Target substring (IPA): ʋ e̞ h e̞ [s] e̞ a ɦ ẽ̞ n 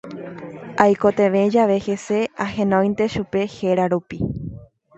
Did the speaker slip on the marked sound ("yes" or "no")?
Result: no